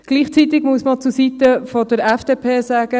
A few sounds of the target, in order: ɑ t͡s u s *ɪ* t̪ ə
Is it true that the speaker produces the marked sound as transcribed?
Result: no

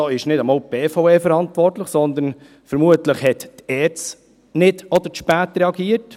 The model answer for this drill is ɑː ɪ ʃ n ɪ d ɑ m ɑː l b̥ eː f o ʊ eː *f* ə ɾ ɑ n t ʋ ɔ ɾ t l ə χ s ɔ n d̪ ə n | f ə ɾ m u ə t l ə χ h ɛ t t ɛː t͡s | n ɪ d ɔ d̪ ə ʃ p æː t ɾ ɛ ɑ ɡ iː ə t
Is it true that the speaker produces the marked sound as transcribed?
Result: yes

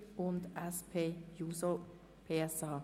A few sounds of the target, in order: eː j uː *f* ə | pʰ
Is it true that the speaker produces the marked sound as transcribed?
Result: no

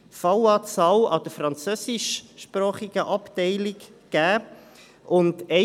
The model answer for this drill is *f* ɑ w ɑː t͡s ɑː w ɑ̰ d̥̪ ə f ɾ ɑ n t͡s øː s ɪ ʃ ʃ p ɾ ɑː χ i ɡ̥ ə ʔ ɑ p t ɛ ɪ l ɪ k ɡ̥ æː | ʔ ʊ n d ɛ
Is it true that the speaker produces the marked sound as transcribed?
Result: yes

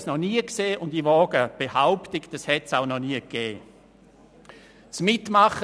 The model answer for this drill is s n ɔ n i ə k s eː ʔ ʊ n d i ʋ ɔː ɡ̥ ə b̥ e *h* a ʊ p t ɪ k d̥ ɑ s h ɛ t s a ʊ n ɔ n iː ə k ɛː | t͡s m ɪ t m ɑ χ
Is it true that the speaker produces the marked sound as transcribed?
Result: yes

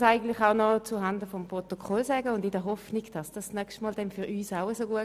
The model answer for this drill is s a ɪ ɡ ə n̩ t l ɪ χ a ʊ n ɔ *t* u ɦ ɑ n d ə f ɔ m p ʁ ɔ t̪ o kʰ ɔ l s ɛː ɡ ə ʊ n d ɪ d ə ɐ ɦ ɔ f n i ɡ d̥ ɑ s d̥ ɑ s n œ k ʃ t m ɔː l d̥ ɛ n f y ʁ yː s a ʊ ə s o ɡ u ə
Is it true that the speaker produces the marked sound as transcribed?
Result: no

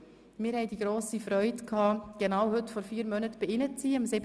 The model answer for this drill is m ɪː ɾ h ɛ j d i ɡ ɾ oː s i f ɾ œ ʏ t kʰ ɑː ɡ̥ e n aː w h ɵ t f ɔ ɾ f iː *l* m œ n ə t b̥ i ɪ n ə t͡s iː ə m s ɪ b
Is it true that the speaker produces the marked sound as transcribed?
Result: no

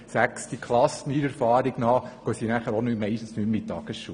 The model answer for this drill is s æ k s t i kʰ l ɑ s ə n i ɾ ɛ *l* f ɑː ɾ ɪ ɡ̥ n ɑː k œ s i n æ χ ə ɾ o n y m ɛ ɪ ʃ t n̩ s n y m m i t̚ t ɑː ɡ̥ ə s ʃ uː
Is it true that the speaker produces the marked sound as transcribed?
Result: no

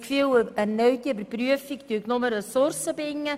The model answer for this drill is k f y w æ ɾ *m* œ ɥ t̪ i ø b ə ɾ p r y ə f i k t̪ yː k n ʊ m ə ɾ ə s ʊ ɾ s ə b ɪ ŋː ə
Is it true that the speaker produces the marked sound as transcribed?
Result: no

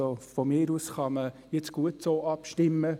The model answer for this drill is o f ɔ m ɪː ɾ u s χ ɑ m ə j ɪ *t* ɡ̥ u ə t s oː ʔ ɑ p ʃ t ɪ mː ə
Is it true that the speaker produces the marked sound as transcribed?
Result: no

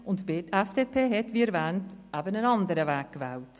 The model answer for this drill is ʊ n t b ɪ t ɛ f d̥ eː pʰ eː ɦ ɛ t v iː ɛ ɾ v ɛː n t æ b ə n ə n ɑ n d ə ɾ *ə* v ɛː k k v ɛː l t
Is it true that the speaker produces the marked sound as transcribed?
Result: yes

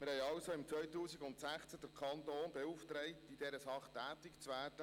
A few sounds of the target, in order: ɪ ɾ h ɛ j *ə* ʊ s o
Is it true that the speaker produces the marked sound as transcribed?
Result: no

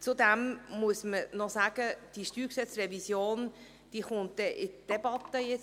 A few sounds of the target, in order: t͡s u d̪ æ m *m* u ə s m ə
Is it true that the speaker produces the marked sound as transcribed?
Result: yes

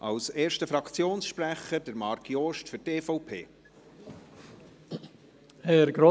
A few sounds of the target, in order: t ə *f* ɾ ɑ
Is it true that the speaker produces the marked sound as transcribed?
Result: yes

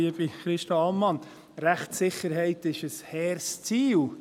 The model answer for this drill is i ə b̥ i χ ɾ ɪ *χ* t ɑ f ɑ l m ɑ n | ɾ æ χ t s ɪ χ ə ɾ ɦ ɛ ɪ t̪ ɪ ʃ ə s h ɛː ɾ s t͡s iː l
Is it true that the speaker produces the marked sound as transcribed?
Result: no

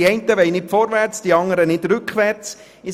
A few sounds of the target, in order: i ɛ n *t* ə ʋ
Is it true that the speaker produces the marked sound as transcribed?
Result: yes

